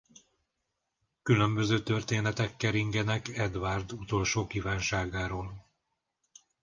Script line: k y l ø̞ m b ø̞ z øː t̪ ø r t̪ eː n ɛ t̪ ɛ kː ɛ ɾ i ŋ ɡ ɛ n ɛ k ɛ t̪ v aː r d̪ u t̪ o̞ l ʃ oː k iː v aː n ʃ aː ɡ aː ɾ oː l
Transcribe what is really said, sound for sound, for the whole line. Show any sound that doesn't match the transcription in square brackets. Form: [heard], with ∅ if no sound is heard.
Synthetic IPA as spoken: k y l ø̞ m b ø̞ z øː t̪ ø r t̪ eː n ɛ t̪ ɛ kː ɛ ɾ i ŋ ɡ ɛ n ɛ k ɛ [d̪] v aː r d̪ u t̪ o̞ l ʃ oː k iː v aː n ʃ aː ɡ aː ɾ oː l